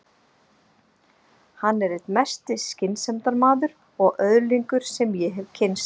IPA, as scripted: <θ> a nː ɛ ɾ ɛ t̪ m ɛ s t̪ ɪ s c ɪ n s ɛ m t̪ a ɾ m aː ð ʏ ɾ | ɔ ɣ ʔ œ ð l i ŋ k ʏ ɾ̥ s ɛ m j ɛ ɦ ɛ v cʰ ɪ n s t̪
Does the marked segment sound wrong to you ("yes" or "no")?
yes